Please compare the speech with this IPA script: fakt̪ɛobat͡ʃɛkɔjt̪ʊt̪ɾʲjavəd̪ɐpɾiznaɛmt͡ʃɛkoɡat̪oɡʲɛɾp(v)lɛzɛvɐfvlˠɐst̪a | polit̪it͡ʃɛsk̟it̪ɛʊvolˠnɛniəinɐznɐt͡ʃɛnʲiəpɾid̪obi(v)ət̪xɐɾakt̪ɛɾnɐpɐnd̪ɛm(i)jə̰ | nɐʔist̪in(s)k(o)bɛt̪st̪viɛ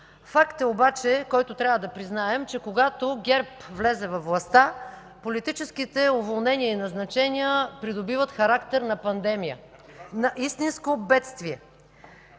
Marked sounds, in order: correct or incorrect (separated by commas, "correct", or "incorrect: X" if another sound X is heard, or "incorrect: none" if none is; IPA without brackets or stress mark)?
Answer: correct, correct, correct, correct, correct